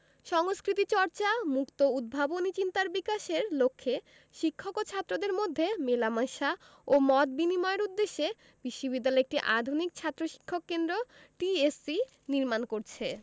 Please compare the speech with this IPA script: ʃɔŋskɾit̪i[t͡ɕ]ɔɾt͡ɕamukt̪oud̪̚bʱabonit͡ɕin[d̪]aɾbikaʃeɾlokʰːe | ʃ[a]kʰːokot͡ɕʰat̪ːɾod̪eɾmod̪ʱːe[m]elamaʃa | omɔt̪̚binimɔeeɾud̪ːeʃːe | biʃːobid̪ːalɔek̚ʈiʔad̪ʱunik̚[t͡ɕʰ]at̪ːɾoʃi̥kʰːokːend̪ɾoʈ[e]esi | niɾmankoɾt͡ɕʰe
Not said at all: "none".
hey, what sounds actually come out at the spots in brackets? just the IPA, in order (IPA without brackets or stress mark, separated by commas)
t͡ɕ, t̪, i, m, t͡ɕʰ, i